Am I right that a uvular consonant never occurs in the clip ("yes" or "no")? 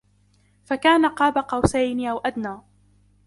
no